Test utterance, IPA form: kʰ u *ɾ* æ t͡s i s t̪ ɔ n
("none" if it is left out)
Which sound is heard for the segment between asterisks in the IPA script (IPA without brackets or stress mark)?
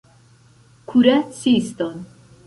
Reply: ɾ